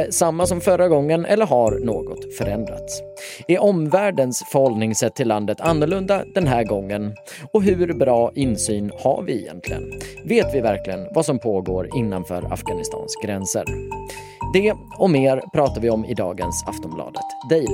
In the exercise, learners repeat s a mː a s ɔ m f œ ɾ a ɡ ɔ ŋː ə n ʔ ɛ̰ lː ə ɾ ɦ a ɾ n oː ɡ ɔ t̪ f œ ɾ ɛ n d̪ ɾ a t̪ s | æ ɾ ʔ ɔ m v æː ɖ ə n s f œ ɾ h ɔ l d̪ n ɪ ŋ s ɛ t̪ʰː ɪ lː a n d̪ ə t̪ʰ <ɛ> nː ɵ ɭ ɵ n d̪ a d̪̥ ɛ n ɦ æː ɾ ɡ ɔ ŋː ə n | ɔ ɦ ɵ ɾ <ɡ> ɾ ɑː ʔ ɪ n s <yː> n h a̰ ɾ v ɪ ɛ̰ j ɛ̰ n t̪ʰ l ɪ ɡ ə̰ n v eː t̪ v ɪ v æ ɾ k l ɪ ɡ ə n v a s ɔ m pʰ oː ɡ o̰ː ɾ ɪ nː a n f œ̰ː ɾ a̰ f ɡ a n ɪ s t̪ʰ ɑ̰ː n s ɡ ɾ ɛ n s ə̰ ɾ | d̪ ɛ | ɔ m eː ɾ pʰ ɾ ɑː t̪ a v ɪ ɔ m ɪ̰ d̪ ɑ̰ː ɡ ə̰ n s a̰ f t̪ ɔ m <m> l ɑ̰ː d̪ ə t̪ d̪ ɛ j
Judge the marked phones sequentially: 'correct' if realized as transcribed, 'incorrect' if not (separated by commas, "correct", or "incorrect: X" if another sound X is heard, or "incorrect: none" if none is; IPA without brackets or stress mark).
incorrect: a, incorrect: b, correct, incorrect: b